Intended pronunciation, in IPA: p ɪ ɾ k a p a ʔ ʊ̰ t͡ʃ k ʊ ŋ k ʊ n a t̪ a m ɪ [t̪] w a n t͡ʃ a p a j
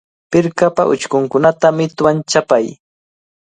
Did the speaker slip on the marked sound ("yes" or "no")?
no